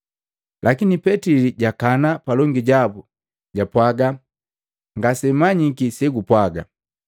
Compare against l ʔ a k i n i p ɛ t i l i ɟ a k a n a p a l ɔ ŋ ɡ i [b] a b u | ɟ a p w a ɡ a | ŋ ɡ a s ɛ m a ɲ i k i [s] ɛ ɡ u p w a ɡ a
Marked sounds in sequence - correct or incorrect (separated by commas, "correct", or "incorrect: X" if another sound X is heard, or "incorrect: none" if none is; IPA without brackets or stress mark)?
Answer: incorrect: ɟ, correct